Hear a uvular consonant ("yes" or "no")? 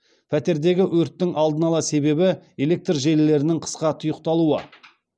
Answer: yes